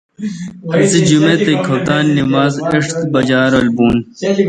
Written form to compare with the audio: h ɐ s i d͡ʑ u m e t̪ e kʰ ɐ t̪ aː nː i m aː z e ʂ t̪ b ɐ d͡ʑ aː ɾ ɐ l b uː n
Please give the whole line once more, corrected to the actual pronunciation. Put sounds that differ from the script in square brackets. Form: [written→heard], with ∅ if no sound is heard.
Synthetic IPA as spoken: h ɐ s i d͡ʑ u m e t̪ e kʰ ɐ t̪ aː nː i m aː z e ʂ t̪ b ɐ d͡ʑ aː ɾ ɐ l b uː n